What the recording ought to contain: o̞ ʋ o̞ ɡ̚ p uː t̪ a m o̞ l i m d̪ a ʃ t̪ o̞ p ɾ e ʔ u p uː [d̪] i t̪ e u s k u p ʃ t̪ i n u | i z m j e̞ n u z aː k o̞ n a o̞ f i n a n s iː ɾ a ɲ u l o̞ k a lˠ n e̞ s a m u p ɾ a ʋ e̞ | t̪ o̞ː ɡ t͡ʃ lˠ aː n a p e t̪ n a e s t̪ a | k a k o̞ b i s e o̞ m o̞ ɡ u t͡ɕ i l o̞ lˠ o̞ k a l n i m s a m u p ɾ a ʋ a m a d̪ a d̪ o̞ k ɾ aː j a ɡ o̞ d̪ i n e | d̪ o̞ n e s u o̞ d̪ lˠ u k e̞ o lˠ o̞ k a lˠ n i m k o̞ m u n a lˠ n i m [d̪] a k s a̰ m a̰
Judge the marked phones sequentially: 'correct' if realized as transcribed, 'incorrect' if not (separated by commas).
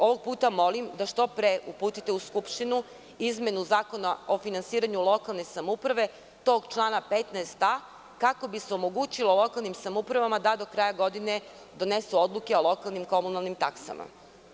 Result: incorrect, incorrect